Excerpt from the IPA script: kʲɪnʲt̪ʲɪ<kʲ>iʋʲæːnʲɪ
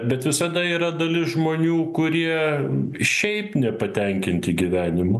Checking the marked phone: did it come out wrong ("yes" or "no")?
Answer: yes